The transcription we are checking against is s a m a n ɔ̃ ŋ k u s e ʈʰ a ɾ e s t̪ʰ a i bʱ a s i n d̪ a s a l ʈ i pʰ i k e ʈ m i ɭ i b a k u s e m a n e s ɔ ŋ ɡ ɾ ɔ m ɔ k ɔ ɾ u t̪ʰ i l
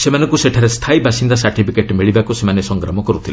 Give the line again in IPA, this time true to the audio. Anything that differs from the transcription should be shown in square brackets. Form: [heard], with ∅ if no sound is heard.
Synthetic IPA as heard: s [e] m a n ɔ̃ ŋ k u s e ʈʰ a ɾ e s t̪ʰ a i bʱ a s i n d̪ a s a [ɾ] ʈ i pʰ i k e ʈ m i ɭ i b a k u s e m a n e s ɔ ŋ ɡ ɾ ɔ m ɔ k ɔ ɾ u t̪ʰ i l